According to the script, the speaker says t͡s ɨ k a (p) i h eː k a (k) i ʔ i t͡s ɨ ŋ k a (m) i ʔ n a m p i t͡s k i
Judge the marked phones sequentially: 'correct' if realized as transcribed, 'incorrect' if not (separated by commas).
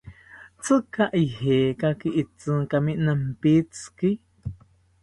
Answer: incorrect, correct, correct